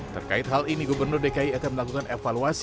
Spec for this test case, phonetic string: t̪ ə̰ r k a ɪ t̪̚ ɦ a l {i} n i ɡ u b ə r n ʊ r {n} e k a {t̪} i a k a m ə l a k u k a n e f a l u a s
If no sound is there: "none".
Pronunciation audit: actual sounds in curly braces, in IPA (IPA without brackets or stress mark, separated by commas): i, d, none